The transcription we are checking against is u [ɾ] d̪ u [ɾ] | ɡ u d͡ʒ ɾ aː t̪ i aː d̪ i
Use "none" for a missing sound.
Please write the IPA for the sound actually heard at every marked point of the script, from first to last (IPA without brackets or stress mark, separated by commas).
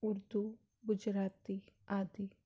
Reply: ɾ, none